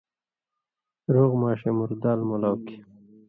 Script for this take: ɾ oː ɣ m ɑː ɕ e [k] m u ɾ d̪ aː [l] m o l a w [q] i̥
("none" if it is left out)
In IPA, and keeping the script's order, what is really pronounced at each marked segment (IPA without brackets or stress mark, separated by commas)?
none, l, k